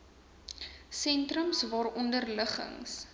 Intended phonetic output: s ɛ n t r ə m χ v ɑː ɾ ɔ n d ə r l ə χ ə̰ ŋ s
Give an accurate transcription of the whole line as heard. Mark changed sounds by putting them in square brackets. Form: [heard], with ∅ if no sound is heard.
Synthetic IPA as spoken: s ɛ n t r ə m [s] v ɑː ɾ ɔ n d ə r l ə χ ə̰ ŋ s